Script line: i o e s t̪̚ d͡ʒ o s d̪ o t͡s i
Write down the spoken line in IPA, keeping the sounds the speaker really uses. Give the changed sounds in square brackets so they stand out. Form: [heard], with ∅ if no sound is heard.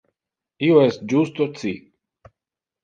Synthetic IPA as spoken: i o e s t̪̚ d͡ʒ [u] s [t̪] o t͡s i